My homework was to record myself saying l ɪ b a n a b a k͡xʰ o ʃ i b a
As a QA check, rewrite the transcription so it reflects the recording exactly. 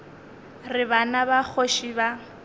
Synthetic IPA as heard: r ɪ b a n a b a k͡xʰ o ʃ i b a